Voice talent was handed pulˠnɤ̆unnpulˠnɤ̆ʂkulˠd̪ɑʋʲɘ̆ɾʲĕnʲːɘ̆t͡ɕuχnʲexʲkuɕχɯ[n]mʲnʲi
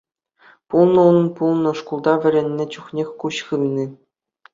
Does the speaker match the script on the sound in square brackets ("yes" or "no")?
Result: no